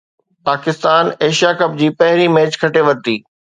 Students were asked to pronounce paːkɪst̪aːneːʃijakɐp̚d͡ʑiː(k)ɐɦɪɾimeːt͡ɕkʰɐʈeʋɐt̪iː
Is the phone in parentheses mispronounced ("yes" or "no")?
yes